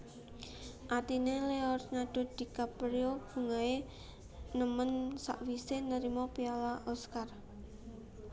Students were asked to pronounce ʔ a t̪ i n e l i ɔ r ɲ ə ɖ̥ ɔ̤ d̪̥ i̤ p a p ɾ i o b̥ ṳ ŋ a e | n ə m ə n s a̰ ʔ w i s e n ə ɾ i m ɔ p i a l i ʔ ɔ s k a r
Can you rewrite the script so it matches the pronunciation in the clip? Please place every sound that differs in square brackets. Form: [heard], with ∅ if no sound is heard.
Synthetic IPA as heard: ʔ a t̪ i n e l [e] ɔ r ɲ [a] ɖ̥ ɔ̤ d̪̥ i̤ [k] a p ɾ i o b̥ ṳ ŋ a e | n ə m ə n s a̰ ʔ w i s e n ə ɾ i m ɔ p i a l [a] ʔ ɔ s k a r